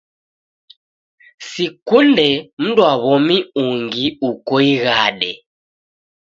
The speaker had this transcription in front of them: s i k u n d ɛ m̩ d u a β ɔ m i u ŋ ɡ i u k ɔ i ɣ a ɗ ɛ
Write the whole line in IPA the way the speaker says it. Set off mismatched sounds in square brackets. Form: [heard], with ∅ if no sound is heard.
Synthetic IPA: s i k u n d ɛ m̩ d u a β ɔ m i u ŋ ɡ i u k ɔ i ɣ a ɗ ɛ